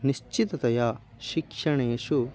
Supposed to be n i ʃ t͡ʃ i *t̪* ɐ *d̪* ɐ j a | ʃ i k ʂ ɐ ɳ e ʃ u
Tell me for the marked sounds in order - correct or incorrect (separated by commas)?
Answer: correct, incorrect